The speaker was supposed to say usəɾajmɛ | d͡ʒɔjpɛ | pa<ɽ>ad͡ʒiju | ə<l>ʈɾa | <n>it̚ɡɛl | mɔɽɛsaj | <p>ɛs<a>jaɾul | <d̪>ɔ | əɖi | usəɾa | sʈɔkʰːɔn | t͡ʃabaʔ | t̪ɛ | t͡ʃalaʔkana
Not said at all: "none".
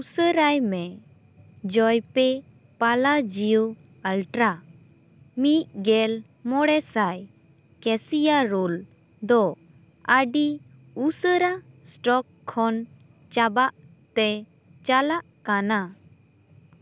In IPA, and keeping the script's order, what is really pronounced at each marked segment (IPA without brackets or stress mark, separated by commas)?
l, l, m, k, i, d̪